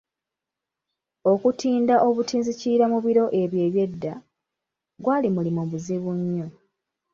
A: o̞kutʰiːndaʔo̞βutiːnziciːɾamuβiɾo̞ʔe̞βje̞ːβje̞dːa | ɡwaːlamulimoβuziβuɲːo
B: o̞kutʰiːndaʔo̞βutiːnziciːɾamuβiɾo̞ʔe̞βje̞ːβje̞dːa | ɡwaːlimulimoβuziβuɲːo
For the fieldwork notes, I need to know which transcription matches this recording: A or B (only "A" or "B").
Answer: B